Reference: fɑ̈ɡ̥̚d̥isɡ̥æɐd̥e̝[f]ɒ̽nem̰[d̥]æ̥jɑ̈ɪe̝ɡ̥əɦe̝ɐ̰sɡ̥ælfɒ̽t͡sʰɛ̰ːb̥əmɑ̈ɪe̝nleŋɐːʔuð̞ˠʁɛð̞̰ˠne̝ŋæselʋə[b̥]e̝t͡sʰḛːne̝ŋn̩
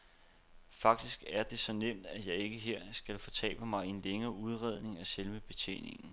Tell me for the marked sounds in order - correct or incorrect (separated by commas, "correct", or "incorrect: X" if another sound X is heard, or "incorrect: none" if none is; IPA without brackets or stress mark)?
incorrect: s, correct, correct